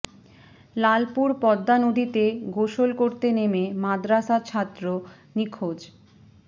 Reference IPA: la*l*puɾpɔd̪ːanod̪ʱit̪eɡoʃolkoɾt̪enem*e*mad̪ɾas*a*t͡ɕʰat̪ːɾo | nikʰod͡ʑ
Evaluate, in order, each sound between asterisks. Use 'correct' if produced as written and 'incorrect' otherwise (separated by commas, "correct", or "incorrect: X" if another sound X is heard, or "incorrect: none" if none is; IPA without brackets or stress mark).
correct, correct, correct